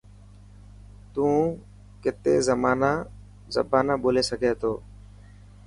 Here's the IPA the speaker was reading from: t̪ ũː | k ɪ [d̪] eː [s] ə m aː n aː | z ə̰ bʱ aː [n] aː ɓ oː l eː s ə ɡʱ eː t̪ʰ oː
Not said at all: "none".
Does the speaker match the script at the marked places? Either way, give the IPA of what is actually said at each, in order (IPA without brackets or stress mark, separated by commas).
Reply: t̪, z, n